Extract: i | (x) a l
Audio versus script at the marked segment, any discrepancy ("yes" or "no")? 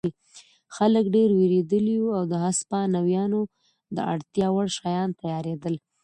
no